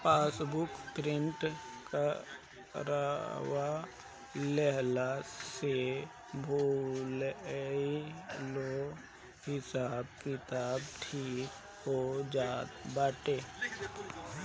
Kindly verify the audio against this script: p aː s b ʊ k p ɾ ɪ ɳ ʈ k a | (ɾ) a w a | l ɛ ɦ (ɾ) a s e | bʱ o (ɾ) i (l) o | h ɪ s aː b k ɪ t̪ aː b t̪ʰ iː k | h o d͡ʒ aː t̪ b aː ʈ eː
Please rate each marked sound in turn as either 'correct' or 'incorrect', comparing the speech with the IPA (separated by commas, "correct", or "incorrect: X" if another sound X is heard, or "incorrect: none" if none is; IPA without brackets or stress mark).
correct, incorrect: l, incorrect: l, correct